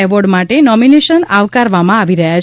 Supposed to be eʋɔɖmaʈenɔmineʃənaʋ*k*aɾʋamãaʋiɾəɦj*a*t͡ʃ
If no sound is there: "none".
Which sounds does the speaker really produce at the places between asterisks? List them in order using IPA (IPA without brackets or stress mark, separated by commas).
k, a